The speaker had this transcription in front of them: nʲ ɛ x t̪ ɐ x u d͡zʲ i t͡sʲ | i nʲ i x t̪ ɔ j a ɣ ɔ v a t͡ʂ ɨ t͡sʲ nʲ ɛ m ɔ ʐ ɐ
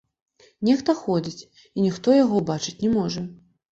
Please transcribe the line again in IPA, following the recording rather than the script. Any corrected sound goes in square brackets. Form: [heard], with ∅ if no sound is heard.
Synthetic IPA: nʲ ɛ x t̪ ɐ x [ɔ] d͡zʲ i t͡sʲ | i nʲ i x t̪ ɔ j a ɣ ɔ [b] a t͡ʂ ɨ t͡sʲ nʲ ɛ m ɔ ʐ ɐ